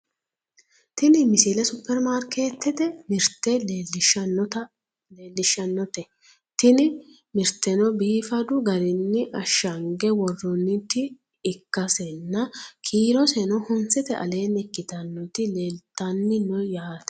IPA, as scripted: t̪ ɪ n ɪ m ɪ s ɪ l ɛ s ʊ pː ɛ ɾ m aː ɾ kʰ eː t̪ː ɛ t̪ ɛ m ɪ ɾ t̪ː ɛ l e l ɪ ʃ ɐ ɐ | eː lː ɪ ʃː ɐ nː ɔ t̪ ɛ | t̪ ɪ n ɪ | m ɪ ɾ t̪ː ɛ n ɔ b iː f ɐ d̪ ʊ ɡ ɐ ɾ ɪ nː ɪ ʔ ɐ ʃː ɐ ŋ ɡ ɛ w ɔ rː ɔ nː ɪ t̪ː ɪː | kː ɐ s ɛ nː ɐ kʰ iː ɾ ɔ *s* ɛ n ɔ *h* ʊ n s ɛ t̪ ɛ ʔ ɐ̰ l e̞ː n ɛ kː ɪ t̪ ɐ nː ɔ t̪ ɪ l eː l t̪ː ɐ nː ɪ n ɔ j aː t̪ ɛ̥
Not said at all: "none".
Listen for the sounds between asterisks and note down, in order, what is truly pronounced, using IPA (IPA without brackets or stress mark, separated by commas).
s, h